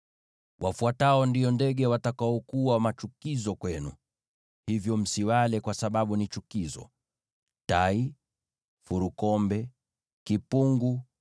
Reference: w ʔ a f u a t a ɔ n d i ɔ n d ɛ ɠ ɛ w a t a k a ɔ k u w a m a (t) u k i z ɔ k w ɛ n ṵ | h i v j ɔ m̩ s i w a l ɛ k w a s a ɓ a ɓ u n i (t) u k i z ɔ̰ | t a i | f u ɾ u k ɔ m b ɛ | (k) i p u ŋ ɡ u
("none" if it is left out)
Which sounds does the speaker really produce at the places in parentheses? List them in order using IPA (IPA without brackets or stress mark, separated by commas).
t͡ʃ, t͡ʃ, k